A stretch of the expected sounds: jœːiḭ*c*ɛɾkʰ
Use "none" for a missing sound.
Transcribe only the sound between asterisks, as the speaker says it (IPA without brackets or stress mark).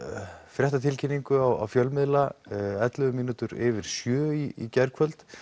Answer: c